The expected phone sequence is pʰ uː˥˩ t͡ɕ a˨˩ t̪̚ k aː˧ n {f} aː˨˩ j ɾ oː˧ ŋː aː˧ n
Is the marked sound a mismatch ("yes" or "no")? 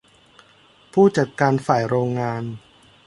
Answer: no